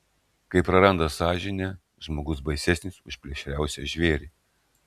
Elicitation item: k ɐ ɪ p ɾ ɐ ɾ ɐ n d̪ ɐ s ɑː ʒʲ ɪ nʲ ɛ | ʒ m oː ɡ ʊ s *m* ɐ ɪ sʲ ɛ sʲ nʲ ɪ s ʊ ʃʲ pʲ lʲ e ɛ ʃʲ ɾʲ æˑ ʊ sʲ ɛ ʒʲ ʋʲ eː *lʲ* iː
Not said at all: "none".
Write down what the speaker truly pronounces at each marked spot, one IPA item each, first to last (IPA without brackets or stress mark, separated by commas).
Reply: b, ɾʲ